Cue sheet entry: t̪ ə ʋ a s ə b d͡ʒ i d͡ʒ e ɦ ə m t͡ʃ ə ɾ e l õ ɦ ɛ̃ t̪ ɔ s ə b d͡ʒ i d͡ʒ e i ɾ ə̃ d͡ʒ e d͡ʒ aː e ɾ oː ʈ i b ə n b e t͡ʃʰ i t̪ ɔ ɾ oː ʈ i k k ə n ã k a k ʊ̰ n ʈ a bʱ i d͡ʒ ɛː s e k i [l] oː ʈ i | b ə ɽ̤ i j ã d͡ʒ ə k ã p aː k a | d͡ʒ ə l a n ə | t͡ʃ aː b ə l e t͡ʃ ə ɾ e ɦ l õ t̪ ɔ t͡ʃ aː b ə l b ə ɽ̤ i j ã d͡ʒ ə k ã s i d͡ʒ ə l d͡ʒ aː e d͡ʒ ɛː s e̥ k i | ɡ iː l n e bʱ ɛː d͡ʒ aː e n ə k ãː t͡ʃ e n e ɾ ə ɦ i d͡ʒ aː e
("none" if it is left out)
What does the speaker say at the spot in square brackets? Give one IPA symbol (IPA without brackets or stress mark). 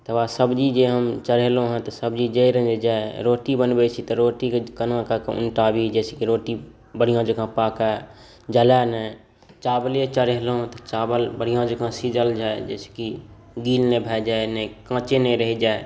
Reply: ɾ